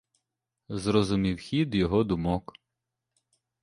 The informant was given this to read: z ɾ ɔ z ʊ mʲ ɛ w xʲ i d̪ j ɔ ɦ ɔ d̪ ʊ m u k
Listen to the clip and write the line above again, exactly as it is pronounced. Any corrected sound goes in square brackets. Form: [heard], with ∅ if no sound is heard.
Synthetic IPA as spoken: z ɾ ɔ z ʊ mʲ [i] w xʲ i d̪ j ɔ ɦ ɔ d̪ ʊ m [ɔ] k